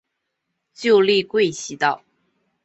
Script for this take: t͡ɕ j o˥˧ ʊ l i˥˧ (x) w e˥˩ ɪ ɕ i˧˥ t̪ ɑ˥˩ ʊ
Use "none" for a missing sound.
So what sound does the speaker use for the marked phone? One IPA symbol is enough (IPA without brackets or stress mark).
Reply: k